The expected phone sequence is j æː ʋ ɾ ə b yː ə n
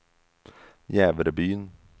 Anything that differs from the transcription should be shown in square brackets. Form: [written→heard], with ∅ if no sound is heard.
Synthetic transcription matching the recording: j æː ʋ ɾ ə b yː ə n